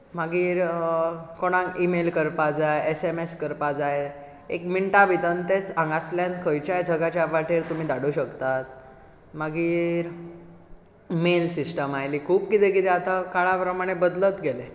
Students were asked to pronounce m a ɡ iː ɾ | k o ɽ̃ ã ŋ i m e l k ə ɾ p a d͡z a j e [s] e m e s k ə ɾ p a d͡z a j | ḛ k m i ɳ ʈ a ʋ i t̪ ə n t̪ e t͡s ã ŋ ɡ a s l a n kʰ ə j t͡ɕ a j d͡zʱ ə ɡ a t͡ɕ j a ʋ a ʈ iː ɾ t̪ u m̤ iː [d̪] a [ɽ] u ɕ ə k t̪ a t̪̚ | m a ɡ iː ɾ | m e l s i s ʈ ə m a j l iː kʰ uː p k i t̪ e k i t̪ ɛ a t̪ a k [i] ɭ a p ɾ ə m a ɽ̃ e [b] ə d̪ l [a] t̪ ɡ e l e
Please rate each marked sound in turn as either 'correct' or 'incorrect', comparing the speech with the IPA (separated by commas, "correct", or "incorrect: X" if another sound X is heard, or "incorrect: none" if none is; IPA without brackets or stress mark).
correct, correct, correct, incorrect: a, correct, incorrect: ə